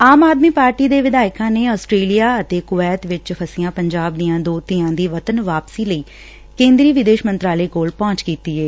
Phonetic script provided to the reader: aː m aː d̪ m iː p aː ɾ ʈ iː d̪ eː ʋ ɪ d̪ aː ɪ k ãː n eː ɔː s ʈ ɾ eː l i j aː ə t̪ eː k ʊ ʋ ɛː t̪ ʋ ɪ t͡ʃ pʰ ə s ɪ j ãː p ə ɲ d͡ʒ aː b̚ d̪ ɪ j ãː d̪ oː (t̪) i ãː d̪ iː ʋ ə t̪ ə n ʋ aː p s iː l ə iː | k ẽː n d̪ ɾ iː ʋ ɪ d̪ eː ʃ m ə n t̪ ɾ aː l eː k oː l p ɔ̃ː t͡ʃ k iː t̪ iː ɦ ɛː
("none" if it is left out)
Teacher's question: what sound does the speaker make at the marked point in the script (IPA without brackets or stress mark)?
t̪